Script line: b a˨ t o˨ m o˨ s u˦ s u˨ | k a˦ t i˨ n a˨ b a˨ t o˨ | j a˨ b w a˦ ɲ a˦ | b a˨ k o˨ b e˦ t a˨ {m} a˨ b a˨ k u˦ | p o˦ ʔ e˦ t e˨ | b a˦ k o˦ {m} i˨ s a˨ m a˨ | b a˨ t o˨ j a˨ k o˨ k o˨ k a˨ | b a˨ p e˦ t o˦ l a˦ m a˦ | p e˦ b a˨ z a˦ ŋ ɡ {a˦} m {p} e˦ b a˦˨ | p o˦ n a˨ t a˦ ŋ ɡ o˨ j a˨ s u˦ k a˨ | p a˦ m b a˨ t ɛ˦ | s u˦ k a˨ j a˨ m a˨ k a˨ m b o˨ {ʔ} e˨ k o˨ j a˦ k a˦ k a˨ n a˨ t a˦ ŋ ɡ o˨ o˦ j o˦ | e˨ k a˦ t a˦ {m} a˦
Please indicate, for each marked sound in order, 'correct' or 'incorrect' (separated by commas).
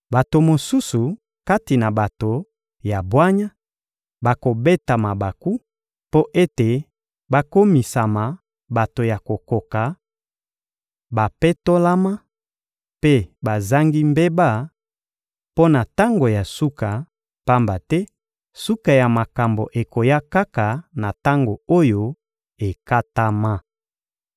correct, correct, incorrect, incorrect, correct, correct